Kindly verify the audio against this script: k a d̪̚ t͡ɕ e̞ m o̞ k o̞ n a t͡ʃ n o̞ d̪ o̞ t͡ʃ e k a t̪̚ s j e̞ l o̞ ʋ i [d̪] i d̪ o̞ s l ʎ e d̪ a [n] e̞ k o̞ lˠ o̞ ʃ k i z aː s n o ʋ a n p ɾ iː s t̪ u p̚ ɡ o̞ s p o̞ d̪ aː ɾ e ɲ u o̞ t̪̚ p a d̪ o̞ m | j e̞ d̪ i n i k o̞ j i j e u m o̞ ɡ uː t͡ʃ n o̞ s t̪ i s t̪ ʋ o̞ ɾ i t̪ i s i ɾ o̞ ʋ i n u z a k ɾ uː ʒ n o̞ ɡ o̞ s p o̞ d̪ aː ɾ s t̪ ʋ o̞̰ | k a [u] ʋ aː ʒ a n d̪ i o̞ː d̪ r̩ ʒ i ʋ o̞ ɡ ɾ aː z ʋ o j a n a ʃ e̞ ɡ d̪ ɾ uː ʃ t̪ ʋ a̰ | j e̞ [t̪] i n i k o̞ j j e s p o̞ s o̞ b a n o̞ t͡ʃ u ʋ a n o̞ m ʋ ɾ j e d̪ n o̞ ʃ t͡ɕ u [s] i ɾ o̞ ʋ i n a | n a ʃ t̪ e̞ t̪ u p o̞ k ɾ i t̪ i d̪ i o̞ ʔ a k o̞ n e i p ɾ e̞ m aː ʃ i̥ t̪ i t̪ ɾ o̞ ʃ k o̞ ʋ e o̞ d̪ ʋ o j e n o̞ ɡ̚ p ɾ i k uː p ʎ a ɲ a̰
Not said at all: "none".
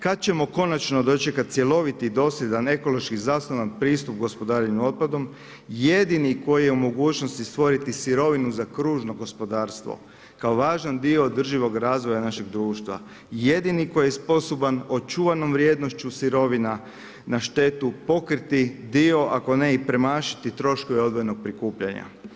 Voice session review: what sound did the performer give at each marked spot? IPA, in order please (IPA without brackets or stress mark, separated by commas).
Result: t̪, n, o, d̪, s